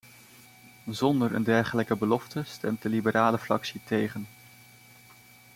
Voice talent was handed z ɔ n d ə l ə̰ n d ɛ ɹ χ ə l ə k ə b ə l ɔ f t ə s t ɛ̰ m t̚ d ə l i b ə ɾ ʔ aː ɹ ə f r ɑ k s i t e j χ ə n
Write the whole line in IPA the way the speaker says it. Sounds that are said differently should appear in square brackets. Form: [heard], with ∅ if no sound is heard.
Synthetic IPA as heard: z ɔ n d ə [ɹ] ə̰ n d ɛ ɹ χ ə l ə k ə b ə l ɔ f t ə s t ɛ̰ m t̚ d ə l i b ə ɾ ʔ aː [l] ə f r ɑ k s i t e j χ ə n